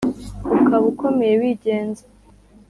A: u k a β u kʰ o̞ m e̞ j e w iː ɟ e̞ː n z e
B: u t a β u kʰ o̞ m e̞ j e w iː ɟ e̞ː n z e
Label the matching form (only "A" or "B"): A